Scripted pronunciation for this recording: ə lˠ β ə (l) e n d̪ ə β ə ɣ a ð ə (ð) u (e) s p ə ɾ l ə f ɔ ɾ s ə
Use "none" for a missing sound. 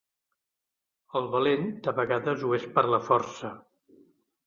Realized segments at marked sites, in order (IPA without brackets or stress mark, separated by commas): l, z, e